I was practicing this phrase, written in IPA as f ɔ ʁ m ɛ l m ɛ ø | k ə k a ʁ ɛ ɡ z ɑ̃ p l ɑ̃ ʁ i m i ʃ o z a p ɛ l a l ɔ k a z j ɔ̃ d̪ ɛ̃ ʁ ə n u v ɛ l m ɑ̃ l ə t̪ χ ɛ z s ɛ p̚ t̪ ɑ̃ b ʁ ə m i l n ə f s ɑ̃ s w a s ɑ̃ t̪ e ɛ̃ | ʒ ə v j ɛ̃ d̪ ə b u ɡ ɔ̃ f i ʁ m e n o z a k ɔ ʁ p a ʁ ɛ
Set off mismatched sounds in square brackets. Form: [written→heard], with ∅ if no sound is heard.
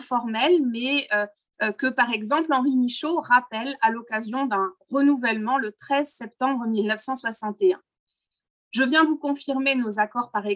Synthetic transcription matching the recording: f ɔ ʁ m ɛ l m ɛ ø | k ə [k→p] a ʁ ɛ ɡ z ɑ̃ p l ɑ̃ ʁ i m i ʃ o [z→ʁ] a p ɛ l a l ɔ k a z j ɔ̃ d̪ ɛ̃ ʁ ə n u v ɛ l m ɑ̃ l ə t̪ χ ɛ z s ɛ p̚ t̪ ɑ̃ b ʁ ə m i l n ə f s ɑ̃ s w a s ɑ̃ t̪ e ɛ̃ | ʒ ə v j ɛ̃ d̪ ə [b→v] u [ɡ→k] ɔ̃ f i ʁ m e n o z a k ɔ ʁ p a ʁ ɛ